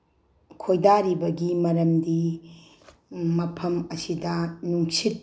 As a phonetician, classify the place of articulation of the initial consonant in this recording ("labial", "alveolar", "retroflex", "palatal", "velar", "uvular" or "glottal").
velar